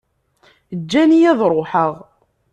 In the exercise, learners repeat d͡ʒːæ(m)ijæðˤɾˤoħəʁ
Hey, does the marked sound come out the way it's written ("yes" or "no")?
no